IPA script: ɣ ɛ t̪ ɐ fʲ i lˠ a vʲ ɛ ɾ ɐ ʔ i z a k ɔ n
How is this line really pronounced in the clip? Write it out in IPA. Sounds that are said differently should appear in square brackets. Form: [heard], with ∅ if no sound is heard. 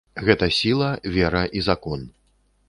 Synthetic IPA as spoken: ɣ ɛ t̪ ɐ [sʲ] i lˠ [ɐ] vʲ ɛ ɾ ɐ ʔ i z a k ɔ n